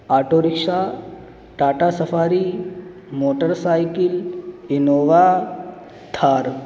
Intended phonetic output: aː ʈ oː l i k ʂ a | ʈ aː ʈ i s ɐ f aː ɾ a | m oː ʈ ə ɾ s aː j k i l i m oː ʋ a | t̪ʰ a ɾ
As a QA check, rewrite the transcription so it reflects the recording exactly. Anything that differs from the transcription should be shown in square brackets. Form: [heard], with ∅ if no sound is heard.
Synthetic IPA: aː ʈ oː [ɾ] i k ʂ a | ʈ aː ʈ [a] s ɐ f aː ɾ [i] | m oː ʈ ə ɾ s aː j k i l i [n] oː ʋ a | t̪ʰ a ɾ